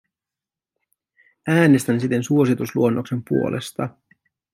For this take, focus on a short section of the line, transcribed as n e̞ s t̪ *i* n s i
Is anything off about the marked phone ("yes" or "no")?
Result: yes